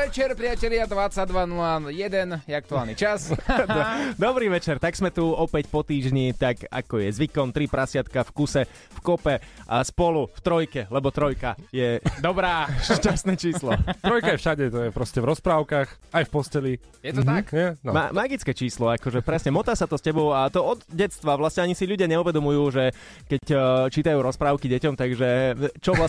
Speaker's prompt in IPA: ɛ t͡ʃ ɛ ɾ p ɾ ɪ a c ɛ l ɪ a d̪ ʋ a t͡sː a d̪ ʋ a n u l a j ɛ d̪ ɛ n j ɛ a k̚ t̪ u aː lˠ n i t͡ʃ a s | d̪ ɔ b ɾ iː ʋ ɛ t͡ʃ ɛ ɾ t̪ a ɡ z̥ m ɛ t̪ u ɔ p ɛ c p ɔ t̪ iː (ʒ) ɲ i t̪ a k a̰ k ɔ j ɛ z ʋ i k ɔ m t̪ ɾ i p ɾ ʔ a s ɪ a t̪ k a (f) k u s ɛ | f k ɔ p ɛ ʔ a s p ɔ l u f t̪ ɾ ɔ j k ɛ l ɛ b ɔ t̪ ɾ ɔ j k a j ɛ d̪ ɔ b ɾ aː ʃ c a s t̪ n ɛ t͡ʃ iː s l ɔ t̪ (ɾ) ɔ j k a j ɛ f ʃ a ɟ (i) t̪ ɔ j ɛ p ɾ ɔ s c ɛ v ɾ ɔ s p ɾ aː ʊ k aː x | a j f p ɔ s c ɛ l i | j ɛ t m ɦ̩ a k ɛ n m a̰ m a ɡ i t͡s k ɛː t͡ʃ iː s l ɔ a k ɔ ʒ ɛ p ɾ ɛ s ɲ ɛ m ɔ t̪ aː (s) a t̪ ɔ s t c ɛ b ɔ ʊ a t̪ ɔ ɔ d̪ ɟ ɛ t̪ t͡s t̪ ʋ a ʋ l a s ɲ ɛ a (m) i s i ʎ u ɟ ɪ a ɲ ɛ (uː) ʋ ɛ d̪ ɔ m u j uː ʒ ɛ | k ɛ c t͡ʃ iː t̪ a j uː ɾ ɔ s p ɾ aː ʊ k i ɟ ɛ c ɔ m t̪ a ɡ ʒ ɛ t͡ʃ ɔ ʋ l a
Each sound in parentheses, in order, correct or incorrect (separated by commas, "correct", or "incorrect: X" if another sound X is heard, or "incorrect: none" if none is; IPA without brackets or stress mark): correct, correct, correct, incorrect: ɛ, correct, incorrect: ɲ, incorrect: u